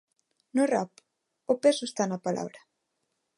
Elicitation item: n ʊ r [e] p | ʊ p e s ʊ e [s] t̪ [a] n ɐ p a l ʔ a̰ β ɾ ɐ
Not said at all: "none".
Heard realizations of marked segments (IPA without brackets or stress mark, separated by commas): a, s, a